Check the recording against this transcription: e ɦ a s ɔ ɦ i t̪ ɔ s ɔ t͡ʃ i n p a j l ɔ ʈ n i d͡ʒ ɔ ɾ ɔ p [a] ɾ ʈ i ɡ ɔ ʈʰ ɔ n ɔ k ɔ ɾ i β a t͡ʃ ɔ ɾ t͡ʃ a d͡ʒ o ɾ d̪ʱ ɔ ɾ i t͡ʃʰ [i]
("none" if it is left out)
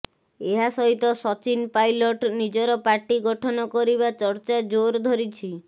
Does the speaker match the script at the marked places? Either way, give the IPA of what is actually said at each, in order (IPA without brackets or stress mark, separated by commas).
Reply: a, i